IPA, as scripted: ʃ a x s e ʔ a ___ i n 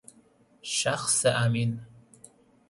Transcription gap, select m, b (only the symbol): m